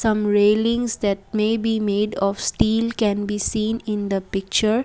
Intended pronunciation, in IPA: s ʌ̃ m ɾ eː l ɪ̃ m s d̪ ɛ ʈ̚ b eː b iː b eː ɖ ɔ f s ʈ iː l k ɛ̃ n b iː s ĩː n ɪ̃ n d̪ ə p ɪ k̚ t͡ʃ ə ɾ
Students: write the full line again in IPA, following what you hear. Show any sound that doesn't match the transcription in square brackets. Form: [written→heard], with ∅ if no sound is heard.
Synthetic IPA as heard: s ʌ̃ m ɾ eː l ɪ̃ [m→ŋ] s d̪ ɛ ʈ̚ [b→m] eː b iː [b→m] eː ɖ ɔ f s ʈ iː l k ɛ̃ n b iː s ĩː n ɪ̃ n d̪ ə p ɪ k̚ t͡ʃ ə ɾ

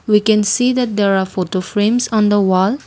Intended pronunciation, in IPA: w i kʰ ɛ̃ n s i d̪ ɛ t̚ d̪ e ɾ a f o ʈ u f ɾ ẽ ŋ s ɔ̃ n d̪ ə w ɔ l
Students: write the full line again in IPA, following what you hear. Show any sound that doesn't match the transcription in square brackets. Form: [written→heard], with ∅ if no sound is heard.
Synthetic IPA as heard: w i [kʰ→k] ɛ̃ n s i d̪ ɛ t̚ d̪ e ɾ a f o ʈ [u→o] f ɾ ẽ [ŋ→m] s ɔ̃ n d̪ ə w ɔ l

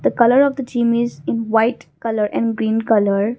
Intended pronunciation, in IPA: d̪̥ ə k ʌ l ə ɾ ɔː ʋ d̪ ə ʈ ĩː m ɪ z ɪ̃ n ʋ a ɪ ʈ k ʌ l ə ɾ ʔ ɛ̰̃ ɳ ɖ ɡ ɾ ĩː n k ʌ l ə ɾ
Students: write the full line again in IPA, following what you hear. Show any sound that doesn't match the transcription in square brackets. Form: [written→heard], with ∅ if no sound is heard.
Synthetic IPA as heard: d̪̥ ə k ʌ l ə ɾ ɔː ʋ d̪ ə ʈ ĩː m ɪ z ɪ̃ n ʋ a ɪ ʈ k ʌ l ə ɾ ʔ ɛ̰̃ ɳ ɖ ɡ ɾ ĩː n k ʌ l ə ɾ

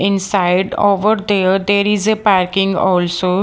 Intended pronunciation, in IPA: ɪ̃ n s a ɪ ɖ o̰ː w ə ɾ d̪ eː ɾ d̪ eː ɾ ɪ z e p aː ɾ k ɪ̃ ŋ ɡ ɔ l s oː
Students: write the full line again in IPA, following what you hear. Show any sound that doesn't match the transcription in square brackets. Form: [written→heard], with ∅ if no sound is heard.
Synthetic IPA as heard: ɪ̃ n s a ɪ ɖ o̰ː [w→ʋ] ə ɾ d̪ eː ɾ d̪ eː ɾ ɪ z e p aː ɾ k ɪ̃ ŋ ɡ [ɔ→ɔː] l s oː

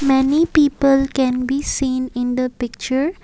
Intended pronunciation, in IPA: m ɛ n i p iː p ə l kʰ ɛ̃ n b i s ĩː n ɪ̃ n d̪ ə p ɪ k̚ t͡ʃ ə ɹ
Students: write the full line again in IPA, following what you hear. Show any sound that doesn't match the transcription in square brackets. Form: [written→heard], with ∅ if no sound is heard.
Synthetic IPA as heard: m ɛ n i p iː p ə l [kʰ→k] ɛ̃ n b i s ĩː n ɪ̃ n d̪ ə p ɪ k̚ t͡ʃ ə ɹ

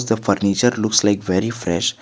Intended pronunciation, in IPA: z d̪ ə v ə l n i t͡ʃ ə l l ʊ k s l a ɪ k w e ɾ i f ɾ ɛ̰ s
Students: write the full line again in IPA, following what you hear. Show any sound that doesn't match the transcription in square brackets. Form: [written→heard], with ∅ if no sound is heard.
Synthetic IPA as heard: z d̪ ə [v→f] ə [l→ɾ] n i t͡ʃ ə [l→ɾ] l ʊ k s l a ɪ k [w→ʋ] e ɾ i f ɾ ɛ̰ [s→ʃ]

